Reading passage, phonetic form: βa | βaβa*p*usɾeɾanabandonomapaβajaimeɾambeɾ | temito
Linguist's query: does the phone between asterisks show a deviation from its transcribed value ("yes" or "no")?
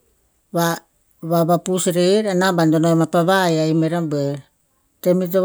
no